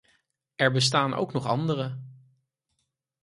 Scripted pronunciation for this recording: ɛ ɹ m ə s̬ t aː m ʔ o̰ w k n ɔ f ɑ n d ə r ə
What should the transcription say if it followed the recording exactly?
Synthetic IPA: ɛ ɹ b ə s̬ t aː n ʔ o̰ w k n ɔ χ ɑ n d ə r ə